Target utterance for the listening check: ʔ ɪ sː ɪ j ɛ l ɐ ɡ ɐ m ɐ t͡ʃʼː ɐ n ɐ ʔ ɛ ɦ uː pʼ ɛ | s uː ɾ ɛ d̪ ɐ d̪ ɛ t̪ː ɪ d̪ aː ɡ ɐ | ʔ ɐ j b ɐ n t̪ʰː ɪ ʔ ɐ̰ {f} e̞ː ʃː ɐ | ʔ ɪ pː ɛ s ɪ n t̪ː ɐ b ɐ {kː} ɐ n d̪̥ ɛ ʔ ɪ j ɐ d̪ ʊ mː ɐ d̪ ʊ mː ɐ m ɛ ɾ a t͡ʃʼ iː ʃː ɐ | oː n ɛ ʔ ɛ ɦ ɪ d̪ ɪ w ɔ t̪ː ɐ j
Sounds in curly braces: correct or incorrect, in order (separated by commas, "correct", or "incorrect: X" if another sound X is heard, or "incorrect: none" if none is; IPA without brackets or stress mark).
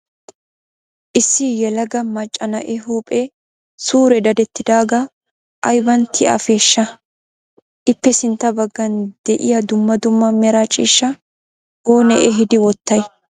correct, incorrect: ɡː